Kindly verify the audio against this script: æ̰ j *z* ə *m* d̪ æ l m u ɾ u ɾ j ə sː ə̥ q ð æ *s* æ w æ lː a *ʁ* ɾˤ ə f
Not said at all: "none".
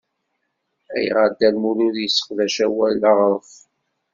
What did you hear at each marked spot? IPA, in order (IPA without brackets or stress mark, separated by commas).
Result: ʁ, none, ʃ, ʁ